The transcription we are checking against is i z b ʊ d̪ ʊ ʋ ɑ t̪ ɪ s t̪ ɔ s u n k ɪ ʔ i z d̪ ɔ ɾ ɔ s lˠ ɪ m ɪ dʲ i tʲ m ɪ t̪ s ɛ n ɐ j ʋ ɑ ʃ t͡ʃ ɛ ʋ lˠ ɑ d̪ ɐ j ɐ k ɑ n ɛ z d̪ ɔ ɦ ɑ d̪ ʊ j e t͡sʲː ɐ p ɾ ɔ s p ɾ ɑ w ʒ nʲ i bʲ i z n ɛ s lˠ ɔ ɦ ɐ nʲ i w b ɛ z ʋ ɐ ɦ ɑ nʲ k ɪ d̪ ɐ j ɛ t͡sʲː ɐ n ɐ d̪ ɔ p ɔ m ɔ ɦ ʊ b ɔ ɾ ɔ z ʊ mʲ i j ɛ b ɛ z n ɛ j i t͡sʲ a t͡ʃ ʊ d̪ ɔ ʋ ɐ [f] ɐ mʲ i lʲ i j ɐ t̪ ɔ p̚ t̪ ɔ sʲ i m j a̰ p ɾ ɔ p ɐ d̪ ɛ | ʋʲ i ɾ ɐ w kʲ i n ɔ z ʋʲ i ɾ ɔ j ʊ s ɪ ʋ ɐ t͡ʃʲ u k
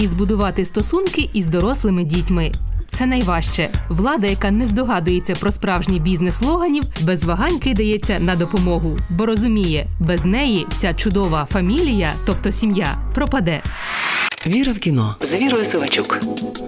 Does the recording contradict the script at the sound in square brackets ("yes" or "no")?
no